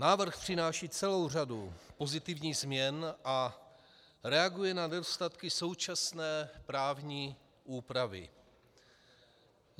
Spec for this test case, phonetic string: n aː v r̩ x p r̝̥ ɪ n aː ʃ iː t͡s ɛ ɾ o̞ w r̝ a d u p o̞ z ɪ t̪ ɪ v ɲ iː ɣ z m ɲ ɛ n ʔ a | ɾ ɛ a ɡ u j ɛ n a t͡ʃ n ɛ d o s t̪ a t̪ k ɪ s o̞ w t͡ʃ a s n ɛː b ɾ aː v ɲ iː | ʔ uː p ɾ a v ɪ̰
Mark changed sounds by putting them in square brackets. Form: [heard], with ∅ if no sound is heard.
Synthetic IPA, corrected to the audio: n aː v r̩ x p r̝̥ ɪ n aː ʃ iː t͡s ɛ [l] o̞ w r̝ a d u p o̞ z ɪ t̪ ɪ v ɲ iː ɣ z m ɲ ɛ n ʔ a | ɾ ɛ a ɡ u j ɛ n a [∅] n ɛ d o s t̪ a t̪ k ɪ s o̞ w t͡ʃ a s n ɛː [p] ɾ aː v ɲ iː | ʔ uː p ɾ a v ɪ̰